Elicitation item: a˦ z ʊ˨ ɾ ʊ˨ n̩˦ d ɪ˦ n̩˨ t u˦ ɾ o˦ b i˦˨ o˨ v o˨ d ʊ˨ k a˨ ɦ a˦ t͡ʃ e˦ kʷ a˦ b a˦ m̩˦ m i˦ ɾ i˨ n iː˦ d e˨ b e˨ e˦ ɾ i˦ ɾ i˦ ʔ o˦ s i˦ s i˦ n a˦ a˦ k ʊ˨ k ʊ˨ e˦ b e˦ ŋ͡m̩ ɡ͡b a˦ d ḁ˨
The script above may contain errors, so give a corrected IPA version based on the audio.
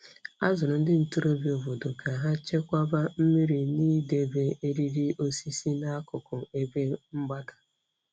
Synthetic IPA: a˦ z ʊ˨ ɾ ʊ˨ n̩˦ d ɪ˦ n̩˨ t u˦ ɾ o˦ b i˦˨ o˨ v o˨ d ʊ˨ k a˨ ɦ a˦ t͡ʃ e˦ kʷ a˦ b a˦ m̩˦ m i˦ ɾ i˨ n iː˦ d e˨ b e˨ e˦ ɾ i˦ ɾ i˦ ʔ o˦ s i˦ s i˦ n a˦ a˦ k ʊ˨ k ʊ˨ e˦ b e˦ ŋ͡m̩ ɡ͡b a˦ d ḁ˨